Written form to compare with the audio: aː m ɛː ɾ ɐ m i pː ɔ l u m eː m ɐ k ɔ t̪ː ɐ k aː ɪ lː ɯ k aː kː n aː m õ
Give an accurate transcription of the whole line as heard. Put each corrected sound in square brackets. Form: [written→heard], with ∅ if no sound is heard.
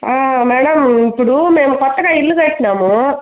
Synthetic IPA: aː m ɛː [ɾ→ɽ] ɐ m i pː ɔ [l→ɽ] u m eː m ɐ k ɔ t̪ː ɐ k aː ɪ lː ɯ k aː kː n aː m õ